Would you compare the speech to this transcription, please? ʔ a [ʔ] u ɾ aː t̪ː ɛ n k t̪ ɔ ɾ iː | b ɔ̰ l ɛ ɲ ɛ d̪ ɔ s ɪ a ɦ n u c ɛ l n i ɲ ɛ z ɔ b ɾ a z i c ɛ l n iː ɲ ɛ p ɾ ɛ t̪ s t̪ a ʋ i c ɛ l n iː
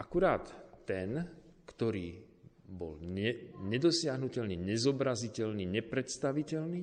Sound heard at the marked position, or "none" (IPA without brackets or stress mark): k